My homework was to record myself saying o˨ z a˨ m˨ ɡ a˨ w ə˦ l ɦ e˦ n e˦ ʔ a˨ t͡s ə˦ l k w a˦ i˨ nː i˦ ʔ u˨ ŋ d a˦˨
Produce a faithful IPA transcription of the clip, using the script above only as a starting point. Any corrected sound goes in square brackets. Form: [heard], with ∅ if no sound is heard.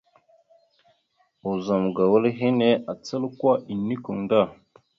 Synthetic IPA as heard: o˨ z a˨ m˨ ɡ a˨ w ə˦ l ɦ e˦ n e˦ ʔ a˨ t͡s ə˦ l k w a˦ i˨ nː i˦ [k] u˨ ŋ d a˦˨